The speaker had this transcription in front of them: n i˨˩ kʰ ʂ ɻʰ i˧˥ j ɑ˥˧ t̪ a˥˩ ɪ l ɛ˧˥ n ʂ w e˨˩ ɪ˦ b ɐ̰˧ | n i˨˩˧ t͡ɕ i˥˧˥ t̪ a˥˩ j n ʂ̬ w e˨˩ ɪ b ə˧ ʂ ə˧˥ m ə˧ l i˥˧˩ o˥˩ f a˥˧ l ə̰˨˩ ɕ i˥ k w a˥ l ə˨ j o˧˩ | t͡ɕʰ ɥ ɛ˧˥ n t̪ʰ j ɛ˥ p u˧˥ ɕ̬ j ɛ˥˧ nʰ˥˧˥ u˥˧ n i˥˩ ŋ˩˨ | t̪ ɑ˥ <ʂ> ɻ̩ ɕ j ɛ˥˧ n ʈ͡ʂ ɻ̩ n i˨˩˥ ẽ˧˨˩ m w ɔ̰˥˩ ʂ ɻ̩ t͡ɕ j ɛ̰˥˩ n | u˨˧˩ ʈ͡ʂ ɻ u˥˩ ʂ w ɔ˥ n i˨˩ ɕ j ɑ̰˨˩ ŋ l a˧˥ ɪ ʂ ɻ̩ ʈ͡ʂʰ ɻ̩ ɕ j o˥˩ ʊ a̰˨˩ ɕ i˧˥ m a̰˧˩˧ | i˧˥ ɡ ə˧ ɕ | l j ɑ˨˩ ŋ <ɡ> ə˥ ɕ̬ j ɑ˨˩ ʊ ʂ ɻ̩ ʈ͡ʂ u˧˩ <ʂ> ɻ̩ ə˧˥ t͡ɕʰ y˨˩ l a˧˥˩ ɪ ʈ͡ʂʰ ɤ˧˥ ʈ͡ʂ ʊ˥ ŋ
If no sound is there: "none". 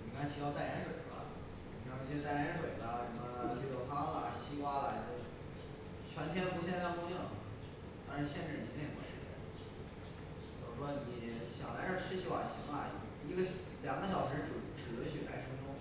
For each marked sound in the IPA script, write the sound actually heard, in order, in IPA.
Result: ʂ, ɡ, ʈ͡ʂ

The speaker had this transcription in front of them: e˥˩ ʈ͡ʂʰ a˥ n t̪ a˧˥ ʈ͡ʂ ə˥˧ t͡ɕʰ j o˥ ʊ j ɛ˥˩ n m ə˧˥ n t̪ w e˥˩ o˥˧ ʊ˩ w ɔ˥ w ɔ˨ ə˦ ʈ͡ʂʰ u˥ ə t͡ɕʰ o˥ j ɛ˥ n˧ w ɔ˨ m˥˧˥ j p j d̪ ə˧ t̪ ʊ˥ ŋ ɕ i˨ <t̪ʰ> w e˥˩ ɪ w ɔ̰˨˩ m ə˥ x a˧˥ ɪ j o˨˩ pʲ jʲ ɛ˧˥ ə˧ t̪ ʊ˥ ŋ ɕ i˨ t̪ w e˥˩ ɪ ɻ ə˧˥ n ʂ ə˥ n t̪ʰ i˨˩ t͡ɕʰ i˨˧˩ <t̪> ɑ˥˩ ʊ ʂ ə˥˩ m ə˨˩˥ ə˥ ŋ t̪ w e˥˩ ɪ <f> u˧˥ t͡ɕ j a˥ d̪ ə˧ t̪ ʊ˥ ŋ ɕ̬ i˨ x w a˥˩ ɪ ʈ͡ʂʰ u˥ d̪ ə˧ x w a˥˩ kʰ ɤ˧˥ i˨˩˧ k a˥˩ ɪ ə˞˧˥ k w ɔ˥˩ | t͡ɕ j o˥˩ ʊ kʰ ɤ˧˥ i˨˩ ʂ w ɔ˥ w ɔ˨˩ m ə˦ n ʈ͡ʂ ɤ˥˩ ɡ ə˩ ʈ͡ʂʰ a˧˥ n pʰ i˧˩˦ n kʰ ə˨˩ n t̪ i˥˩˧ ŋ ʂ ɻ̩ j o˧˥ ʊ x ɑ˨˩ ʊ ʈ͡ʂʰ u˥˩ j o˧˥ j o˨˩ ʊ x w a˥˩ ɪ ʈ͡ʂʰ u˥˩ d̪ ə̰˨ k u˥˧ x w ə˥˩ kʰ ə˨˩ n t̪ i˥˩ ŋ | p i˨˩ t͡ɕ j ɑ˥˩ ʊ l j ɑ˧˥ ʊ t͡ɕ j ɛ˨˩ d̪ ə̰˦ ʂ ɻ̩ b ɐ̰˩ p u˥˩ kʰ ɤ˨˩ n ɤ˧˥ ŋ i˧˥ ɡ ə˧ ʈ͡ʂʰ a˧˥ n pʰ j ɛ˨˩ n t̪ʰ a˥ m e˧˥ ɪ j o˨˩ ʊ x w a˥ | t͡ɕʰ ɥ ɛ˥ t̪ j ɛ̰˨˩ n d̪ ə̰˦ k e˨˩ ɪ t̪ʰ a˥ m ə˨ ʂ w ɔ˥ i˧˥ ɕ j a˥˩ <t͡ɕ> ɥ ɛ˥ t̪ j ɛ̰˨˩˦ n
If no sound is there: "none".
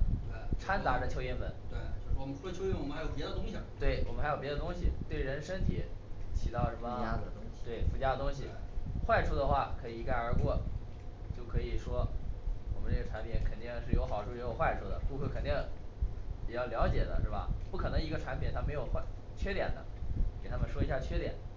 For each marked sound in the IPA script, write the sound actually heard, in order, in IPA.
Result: t̪, t̪, f, t͡ɕʰ

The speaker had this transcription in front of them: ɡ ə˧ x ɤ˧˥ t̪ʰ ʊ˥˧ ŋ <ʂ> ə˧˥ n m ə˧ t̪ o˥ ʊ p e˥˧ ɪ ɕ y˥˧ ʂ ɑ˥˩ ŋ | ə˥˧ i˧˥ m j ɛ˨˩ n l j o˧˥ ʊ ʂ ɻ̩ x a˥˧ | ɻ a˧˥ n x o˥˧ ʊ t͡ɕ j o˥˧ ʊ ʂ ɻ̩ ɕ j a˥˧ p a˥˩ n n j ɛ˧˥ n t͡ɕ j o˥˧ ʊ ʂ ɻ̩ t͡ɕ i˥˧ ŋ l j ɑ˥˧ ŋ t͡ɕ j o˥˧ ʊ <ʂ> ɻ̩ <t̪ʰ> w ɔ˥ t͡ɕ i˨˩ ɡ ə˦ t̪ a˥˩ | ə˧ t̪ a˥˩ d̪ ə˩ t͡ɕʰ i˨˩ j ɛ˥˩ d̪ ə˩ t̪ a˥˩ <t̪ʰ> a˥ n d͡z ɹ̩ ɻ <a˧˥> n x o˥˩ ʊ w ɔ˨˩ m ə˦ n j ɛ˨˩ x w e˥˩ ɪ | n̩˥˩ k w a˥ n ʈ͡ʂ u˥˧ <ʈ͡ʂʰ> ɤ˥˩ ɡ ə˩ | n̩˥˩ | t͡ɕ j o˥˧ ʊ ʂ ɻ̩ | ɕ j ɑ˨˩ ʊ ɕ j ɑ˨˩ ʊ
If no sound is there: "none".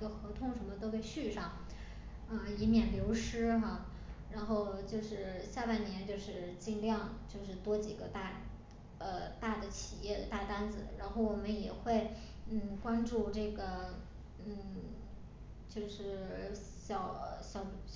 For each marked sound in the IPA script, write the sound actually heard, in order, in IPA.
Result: ʂ, ʂ, t̪, t̪, a˧˥, ʈ͡ʂ

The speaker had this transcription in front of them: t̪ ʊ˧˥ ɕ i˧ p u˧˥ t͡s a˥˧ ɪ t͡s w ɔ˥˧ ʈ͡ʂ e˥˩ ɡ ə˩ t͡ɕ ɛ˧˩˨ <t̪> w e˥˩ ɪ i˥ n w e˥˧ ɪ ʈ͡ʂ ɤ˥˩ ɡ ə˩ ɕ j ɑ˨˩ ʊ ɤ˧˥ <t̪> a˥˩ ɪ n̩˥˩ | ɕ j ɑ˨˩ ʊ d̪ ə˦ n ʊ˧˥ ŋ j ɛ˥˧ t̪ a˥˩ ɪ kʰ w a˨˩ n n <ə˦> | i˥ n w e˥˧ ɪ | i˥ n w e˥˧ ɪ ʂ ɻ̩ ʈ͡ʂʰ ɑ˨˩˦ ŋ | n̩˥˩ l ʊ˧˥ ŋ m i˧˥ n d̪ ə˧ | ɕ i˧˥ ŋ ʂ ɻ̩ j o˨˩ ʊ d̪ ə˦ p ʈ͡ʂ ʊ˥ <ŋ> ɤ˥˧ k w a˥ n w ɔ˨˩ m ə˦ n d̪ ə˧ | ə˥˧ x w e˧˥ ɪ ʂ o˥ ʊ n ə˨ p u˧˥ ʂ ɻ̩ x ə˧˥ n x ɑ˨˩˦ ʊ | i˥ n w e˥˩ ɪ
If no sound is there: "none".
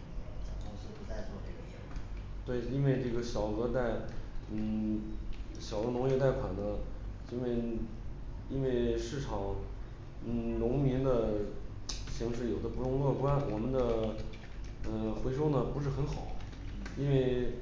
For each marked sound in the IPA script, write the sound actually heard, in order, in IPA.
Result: t̪, t̪, ə˦, ŋ

